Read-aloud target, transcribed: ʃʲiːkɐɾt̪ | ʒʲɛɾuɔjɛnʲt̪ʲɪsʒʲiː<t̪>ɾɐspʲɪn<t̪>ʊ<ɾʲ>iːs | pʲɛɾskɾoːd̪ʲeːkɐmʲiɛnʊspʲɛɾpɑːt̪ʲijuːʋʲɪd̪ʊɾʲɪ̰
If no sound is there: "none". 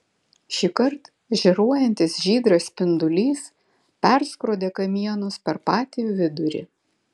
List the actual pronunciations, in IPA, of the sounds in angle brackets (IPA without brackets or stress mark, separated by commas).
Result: d̪, d̪, lʲ